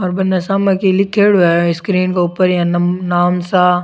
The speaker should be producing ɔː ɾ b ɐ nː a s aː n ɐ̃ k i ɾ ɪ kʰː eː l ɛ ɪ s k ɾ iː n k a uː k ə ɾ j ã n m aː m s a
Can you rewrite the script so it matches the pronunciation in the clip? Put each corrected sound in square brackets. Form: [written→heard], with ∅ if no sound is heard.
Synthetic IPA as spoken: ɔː ɾ b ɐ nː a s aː [n→m] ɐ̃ k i [ɾ→l] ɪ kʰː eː [l→ɽ] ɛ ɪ s k ɾ iː n k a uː [k→p] ə ɾ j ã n [m→n] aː m s a